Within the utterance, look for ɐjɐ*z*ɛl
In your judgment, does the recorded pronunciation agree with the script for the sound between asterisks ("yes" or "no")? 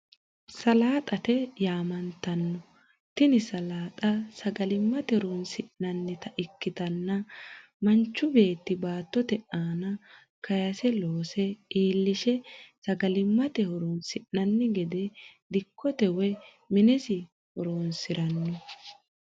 no